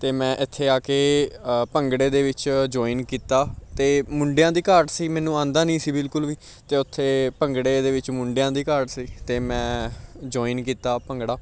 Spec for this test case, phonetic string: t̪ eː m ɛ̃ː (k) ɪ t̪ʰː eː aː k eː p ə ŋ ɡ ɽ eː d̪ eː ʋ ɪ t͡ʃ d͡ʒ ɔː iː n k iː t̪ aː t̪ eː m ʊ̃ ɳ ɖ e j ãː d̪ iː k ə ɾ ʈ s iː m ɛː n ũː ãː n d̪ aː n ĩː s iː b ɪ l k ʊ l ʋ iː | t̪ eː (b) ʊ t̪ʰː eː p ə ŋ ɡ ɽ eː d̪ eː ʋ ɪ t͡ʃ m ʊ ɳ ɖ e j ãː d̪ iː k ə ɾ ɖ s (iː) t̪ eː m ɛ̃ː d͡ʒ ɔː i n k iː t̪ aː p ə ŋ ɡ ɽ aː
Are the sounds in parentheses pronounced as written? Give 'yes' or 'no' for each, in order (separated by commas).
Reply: no, no, yes